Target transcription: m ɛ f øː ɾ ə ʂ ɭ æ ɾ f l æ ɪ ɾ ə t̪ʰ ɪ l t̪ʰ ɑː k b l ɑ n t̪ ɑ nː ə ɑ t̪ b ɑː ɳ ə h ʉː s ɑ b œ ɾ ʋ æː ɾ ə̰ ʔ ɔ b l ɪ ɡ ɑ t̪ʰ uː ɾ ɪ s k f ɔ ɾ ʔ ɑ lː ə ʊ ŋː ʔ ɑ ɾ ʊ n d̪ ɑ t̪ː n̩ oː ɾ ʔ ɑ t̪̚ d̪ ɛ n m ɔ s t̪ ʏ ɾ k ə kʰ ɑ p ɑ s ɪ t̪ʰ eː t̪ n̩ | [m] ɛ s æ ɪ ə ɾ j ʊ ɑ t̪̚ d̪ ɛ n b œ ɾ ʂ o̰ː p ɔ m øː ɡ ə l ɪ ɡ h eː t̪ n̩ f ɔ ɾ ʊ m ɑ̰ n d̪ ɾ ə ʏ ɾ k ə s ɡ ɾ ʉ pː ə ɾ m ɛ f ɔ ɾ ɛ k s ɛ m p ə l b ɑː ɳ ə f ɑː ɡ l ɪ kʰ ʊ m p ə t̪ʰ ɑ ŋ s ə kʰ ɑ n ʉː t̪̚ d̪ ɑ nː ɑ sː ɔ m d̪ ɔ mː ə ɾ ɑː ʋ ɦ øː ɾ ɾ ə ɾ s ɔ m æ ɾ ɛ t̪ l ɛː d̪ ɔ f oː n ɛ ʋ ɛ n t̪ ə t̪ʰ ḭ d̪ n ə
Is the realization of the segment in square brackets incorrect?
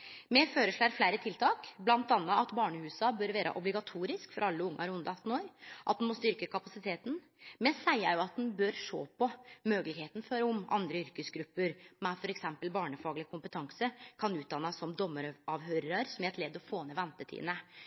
no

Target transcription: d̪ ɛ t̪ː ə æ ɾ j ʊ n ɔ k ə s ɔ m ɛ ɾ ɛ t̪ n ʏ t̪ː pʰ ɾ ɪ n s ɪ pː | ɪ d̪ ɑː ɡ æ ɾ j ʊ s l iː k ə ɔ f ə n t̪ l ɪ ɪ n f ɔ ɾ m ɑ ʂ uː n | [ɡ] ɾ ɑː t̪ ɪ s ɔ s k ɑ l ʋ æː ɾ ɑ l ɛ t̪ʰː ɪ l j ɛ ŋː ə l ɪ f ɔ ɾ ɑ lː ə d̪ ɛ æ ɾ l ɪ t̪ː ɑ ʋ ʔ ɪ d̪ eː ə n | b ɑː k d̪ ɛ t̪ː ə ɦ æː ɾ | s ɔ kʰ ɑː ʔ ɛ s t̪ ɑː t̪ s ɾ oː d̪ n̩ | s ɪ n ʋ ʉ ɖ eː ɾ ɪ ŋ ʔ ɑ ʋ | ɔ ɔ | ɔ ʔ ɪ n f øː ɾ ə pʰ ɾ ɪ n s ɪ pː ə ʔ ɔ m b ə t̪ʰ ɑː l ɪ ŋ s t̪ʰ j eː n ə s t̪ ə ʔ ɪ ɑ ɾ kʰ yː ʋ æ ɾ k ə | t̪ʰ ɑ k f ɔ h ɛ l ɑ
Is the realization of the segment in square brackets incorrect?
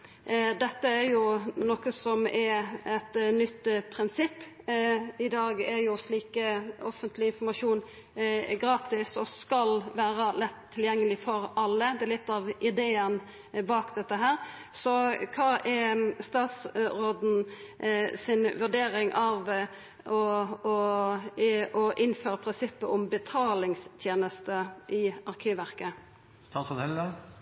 no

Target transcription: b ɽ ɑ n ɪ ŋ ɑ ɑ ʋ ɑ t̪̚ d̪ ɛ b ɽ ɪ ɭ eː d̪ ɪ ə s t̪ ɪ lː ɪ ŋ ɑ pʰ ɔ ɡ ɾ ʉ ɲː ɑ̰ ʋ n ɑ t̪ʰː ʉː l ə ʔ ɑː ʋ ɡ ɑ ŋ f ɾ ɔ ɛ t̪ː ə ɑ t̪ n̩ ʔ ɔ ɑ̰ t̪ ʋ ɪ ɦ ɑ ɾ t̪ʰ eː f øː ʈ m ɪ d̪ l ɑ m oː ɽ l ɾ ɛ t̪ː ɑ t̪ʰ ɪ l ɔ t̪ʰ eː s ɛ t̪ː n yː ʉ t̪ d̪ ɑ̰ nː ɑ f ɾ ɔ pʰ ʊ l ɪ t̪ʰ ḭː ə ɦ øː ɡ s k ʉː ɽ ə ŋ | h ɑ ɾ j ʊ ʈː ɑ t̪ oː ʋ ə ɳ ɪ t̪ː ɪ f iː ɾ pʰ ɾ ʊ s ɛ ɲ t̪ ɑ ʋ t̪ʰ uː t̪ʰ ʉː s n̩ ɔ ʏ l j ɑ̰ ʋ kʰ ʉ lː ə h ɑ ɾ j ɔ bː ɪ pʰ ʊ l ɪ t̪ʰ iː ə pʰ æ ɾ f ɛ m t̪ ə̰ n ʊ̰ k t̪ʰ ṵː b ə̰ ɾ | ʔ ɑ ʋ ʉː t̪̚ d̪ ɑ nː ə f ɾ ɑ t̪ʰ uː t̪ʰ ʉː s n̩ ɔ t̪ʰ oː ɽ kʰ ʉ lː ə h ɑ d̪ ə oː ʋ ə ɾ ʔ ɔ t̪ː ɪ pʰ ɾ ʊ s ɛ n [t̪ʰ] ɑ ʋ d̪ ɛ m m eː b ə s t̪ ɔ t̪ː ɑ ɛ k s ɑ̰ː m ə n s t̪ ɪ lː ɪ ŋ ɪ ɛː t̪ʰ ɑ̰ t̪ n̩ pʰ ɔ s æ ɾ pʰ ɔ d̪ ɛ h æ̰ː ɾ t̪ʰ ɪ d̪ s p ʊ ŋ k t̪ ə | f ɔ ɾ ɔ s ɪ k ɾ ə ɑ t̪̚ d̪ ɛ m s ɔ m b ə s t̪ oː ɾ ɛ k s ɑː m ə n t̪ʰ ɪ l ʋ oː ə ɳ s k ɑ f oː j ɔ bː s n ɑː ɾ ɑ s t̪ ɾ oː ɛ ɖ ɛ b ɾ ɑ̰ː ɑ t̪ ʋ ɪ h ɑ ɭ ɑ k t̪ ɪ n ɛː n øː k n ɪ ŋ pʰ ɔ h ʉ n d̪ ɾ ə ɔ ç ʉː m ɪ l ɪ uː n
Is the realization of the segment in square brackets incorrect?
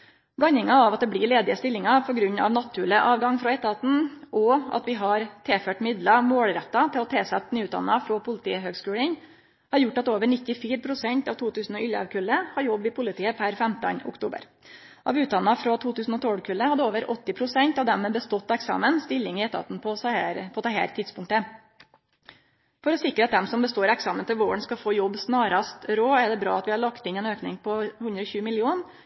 yes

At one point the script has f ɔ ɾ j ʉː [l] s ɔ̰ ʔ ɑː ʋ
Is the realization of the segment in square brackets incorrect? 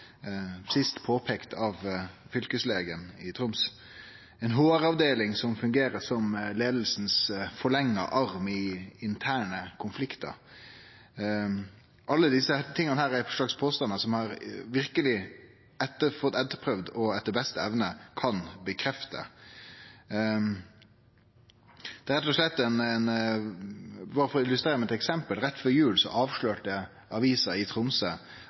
no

